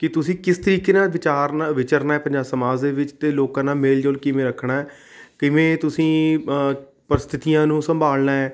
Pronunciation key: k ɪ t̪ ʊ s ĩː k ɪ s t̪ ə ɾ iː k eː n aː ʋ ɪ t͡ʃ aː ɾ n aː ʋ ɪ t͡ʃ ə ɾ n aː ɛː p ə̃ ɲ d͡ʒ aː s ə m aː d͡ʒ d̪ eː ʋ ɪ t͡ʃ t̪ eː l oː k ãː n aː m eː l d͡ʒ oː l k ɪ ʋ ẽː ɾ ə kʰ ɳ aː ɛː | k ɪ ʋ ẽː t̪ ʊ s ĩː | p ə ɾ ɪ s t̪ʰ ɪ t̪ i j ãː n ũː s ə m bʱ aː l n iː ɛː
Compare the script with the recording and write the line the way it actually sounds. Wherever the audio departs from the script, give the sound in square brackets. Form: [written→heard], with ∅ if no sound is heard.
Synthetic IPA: k ɪ t̪ ʊ s ĩː k ɪ s t̪ ə ɾ iː k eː n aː ʋ ɪ t͡ʃ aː ɾ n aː ʋ ɪ t͡ʃ ə ɾ n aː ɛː p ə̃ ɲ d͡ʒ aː s ə m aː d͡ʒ d̪ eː ʋ ɪ t͡ʃ t̪ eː l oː k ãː n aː m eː l d͡ʒ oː l k ɪ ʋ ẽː ɾ ə kʰ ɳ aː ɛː | k ɪ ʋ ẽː t̪ ʊ s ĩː | p ə ɾ ɪ s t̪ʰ ɪ t̪ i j ãː n ũː s ə m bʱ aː l n [iː→aː] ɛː